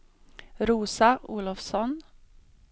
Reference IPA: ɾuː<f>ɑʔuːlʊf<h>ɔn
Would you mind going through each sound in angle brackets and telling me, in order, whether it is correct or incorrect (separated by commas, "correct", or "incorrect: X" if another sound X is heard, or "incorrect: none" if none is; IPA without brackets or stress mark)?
incorrect: s, incorrect: s